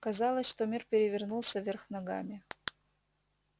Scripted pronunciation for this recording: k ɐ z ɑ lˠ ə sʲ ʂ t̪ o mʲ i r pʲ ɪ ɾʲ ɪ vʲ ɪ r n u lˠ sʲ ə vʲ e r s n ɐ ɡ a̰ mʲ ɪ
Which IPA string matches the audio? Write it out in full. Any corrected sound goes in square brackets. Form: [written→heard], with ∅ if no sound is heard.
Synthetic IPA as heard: k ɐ z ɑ lˠ ə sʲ ʂ t̪ o mʲ i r pʲ ɪ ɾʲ ɪ vʲ ɪ r n u lˠ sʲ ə vʲ e r [s→x] n ɐ ɡ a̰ mʲ ɪ